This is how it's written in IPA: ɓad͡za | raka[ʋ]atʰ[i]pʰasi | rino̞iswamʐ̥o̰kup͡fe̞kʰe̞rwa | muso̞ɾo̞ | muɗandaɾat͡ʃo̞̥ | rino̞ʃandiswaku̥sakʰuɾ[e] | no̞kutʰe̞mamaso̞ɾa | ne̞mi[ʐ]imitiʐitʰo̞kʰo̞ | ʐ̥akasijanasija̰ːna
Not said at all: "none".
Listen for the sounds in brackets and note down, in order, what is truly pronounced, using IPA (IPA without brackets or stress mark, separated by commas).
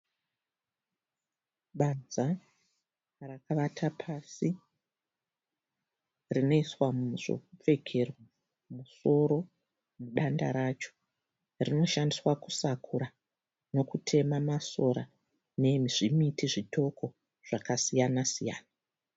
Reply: ʋ, a, a, ʐ